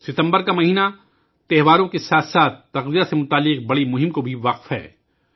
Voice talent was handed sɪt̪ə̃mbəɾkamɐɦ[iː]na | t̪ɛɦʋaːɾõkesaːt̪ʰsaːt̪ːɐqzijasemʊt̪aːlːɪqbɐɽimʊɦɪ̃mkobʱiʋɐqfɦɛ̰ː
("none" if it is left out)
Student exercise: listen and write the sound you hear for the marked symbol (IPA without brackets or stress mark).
iː